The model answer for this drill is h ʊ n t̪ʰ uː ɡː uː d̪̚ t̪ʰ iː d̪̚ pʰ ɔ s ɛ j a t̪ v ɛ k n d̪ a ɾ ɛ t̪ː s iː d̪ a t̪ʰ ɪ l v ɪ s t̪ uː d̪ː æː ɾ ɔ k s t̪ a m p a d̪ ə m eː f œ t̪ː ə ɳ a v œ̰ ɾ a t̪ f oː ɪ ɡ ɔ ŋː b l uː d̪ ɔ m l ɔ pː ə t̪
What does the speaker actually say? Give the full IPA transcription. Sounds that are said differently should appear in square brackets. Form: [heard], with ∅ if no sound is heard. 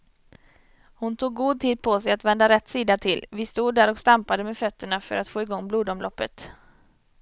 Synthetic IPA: h ʊ n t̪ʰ uː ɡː uː d̪̚ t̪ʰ iː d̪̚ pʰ ɔ s ɛ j a t̪ v ɛ [∅] n d̪ a ɾ ɛ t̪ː s iː d̪ a t̪ʰ ɪ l v ɪ s t̪ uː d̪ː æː ɾ ɔ k s t̪ a m p a d̪ ə m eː f œ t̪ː ə ɳ a [f] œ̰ ɾ a t̪ f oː ɪ ɡ ɔ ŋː b l uː d̪ ɔ m l ɔ pː ə t̪